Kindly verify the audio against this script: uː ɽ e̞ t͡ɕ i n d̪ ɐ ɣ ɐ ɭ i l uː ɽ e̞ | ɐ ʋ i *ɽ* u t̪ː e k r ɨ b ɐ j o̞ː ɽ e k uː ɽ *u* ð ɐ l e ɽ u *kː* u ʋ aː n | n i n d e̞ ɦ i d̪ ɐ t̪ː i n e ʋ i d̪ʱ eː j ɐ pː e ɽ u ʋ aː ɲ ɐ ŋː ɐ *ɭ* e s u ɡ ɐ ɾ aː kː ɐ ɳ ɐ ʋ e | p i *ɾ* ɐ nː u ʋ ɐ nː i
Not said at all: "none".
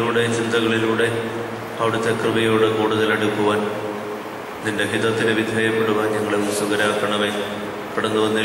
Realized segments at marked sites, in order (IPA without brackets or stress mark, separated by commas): ɽ, u, kː, ɭ, ɽ